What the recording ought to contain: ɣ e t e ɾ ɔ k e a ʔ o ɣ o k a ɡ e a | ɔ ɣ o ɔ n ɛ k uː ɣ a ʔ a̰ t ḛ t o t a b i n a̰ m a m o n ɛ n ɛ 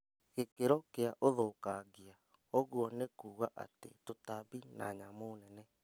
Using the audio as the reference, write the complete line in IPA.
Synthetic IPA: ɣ e k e ɾ ɔ k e a ʔ o ð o k a ɡ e a | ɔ ɣ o ɔ n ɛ k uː ɣ a ʔ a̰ t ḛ t o t a b i n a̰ ɲ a m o n ɛ n ɛ